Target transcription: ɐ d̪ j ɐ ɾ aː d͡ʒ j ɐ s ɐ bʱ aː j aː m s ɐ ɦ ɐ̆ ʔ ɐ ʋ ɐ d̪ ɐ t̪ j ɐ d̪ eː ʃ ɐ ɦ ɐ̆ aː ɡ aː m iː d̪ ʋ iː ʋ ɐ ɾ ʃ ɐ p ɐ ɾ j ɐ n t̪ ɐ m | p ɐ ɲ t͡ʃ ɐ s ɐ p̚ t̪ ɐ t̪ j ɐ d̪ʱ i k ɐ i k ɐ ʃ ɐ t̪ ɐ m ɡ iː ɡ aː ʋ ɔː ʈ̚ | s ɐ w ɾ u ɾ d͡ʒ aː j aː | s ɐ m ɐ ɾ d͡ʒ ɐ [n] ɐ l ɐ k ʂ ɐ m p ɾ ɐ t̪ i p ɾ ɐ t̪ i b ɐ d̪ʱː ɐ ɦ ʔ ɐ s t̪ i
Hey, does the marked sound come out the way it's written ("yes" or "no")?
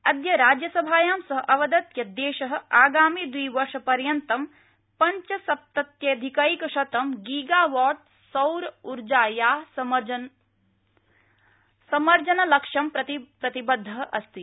yes